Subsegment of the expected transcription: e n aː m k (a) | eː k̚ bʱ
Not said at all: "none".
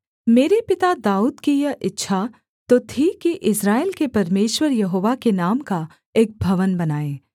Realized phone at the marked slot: a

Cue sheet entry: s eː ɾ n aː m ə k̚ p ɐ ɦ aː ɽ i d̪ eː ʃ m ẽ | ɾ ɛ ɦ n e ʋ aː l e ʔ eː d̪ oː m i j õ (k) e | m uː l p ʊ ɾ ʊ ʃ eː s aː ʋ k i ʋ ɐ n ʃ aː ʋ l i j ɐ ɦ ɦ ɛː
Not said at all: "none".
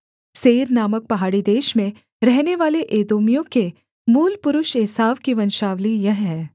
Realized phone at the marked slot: k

